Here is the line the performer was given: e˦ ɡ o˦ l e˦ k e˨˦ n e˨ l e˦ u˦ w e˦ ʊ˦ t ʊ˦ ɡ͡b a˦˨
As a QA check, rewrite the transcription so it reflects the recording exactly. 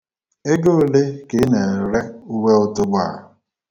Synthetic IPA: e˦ ɡ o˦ l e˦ k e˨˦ n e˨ ɾ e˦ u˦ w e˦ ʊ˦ t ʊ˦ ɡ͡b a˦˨